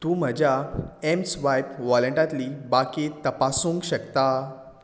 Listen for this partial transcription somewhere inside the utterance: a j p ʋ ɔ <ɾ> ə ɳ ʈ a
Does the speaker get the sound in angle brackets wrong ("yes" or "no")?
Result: yes